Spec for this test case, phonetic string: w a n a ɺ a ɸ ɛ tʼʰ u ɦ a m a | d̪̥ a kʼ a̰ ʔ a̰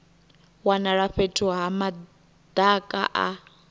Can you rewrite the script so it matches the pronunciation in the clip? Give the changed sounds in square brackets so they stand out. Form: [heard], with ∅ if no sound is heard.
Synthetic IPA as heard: w a n a ɺ a ɸ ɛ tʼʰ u ɦ a m a | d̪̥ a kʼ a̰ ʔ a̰